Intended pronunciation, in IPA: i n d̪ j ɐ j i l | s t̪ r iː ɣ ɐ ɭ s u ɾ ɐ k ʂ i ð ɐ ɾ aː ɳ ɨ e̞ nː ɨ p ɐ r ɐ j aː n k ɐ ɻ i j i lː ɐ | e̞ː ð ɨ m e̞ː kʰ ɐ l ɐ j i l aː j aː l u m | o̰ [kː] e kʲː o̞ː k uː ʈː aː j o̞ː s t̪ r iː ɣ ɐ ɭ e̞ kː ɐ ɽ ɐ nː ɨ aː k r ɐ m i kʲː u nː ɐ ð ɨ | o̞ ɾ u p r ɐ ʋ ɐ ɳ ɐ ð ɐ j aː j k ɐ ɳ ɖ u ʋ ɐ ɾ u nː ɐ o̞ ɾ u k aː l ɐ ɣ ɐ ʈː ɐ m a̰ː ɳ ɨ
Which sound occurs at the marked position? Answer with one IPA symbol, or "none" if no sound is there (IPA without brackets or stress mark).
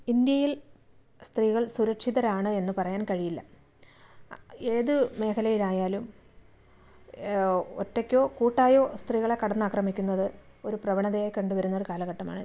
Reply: tː